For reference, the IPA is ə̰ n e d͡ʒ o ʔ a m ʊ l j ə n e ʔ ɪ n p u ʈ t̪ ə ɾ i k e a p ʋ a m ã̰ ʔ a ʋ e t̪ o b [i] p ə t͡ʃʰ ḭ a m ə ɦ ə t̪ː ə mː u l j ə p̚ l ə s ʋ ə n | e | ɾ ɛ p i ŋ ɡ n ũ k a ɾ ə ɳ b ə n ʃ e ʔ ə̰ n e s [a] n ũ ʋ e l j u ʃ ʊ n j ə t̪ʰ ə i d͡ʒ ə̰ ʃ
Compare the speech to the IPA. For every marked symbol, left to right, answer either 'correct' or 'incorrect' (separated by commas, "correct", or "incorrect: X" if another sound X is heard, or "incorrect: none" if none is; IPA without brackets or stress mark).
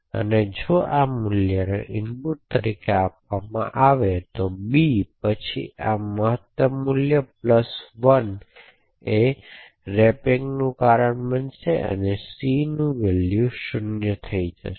correct, incorrect: i